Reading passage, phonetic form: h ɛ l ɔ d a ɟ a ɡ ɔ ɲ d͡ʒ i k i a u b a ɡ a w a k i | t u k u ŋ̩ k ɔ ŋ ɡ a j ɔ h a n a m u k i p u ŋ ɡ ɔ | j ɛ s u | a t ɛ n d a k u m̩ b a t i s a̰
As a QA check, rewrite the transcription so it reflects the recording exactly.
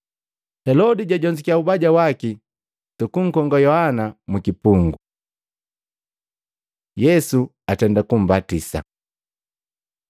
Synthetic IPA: h ɛ l ɔ d i ɟ a ɟ ɔ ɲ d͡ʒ i k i a u b a ɟ a w a k i | t u k u ŋ̩ k ɔ ŋ ɡ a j ɔ h a n a m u k i p u ŋ ɡ u | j ɛ s u | a t ɛ n d a k u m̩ b a t i s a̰